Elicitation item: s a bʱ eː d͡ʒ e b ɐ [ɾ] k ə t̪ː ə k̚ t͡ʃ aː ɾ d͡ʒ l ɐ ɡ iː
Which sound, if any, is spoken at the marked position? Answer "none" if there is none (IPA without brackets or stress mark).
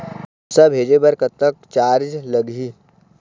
ɾ